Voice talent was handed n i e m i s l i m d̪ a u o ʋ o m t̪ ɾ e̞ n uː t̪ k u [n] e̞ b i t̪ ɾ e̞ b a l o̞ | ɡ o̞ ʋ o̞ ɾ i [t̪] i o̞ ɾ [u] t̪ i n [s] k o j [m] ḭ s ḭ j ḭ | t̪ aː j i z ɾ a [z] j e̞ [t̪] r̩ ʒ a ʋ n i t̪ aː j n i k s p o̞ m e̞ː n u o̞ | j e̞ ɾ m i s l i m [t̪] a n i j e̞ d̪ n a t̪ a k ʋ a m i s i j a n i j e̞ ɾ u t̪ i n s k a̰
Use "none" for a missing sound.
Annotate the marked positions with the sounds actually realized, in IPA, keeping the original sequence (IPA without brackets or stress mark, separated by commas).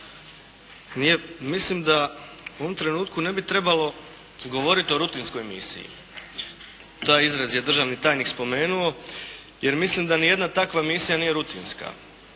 n, t̪, u, s, m, z, d̪, d̪